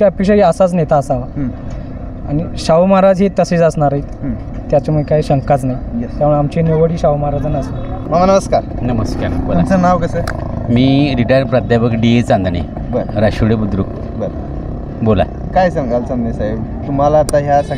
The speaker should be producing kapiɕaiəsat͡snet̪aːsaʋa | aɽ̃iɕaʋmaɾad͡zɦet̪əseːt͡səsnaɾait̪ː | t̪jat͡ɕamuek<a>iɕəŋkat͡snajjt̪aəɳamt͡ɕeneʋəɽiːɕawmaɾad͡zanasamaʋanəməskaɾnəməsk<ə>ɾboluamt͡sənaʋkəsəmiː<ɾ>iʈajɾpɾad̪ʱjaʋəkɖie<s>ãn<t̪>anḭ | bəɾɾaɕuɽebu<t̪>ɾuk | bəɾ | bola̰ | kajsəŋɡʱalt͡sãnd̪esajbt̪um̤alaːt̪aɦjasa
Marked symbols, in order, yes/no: yes, no, yes, no, no, no

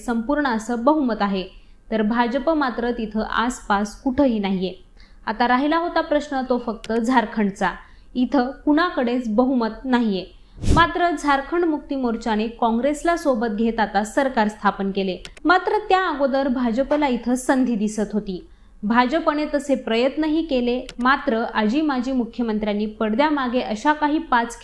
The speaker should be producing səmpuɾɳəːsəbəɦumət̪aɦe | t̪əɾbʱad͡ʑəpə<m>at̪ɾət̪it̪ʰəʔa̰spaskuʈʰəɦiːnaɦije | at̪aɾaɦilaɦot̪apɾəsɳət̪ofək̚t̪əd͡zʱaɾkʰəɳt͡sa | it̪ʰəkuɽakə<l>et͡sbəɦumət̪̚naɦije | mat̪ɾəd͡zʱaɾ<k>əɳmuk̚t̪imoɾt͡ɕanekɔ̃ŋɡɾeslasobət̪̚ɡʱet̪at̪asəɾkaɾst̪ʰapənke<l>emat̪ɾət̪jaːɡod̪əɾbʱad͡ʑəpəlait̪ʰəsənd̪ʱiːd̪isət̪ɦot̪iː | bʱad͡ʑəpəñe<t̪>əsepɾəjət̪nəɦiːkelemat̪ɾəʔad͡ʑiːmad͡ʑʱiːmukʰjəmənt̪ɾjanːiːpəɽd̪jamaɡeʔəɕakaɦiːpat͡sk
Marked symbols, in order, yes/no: yes, no, no, yes, yes

